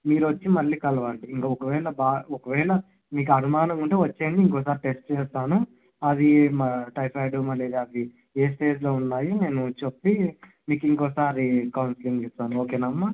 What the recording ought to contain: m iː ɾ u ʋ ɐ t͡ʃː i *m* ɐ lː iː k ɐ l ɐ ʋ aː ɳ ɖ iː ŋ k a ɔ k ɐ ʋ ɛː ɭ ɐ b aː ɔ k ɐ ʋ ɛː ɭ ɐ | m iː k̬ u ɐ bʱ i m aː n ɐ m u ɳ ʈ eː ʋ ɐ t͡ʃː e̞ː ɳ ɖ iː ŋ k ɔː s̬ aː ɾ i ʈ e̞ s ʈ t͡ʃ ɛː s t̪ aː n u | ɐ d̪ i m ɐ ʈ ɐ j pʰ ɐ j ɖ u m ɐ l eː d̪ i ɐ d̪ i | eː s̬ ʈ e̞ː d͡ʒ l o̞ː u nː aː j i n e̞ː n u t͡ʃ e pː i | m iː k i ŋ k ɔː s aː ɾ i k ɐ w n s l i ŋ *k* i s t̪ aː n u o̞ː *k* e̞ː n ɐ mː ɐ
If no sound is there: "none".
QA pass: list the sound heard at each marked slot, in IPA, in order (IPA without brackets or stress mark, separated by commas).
m, ɡ, k